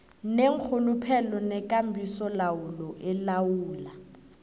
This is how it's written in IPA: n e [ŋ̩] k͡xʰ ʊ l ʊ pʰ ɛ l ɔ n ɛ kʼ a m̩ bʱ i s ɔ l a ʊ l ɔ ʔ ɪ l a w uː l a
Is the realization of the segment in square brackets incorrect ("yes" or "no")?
no